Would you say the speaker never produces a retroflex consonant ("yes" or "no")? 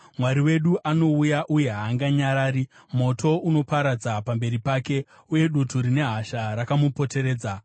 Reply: yes